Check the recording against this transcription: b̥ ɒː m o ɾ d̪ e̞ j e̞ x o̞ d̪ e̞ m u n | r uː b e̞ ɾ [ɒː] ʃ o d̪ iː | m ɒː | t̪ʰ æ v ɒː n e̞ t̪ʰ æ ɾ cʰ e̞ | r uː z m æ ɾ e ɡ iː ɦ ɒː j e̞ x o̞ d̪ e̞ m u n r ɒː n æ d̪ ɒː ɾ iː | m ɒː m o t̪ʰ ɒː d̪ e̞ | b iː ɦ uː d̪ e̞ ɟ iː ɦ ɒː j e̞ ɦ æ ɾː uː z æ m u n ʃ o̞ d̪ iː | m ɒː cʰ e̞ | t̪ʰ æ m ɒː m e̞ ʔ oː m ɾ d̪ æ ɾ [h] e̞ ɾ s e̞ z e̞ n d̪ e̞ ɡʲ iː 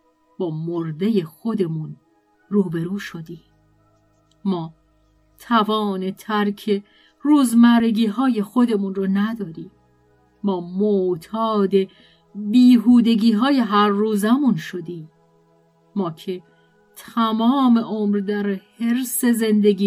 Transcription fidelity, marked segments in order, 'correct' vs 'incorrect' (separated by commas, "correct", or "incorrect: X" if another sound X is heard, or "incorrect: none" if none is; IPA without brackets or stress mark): incorrect: uː, correct